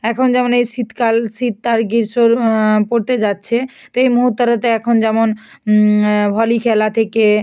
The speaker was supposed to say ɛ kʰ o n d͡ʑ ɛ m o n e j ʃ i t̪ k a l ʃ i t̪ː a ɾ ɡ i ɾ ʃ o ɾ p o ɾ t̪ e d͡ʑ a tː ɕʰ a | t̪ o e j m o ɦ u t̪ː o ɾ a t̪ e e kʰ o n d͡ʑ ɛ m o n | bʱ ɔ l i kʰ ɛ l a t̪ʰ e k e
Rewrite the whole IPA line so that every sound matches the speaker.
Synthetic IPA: ɛ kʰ o n d͡ʑ ɛ m o n e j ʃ i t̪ k a l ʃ i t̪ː a ɾ ɡ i ɾ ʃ o ɾ p o ɾ t̪ e d͡ʑ a tː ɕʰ e | t̪ o e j m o ɦ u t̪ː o ɾ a t̪ e ɛ kʰ o n d͡ʑ ɛ m o n | bʱ ɔ l i kʰ ɛ l a t̪ʰ e k e